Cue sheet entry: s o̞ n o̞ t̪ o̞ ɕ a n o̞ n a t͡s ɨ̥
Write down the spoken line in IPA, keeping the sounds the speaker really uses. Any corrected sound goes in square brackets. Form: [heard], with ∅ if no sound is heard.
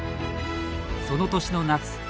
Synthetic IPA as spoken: s o̞ n o̞ t̪ o̞ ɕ [i] n o̞ n a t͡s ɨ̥